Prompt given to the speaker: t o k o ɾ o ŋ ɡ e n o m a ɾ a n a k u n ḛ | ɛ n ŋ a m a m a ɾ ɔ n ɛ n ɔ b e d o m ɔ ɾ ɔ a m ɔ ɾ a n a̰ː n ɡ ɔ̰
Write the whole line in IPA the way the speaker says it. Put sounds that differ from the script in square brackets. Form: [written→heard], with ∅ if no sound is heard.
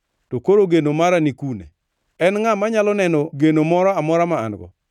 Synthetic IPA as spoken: t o k o ɾ o [ŋ→∅] ɡ e n o m a ɾ a n [a→i] k u n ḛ | ɛ n ŋ a m a [m→ɲ] a [ɾ→l] ɔ n ɛ n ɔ [b→ɡ] e [d→n] o m ɔ ɾ ɔ a m ɔ ɾ a [n→m] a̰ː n ɡ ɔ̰